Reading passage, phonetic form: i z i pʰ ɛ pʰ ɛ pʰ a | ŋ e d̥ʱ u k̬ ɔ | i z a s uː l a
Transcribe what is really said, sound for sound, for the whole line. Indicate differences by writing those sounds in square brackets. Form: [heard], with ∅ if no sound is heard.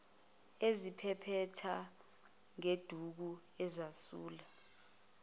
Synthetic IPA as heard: [e] z i pʰ ɛ pʰ ɛ [tʰ] a | ŋ e d̥ʱ u k̬ [u] | [ɛ] z a s uː l a